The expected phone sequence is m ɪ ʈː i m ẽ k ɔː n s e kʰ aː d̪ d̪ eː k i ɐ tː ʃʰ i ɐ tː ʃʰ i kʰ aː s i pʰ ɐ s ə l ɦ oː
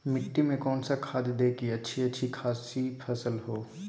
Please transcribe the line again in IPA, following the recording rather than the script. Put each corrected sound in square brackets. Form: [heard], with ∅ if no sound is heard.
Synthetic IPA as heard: m ɪ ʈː i m ẽ k ɔː n s [a] kʰ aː d̪ d̪ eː k i ɐ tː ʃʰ i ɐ tː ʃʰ i kʰ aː s i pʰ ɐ s ə l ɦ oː